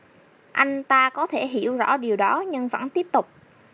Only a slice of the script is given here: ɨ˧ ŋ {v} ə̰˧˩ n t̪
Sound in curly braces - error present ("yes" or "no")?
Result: no